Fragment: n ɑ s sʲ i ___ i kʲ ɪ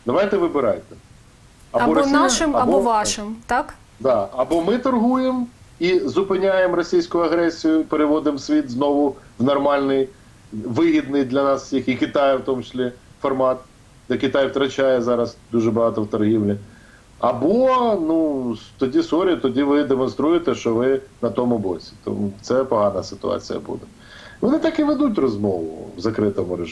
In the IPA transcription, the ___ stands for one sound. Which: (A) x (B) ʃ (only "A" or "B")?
A